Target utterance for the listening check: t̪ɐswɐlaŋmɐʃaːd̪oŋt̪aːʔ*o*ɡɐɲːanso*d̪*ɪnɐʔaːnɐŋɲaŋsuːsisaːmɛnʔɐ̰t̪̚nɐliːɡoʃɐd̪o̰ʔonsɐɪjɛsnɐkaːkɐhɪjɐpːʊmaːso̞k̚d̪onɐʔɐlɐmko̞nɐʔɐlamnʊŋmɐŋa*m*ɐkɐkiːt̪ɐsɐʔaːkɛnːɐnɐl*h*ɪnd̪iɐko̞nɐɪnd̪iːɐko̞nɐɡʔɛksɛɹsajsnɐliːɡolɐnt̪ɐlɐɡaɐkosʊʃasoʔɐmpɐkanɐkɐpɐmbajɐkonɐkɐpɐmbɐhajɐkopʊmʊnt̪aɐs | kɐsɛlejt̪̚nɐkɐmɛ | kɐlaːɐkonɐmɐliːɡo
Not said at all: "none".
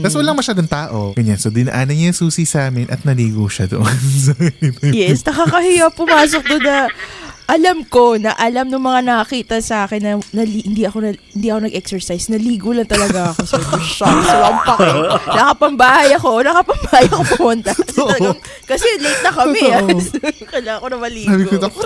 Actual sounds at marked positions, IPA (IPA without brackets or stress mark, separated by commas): o, d̪, n, h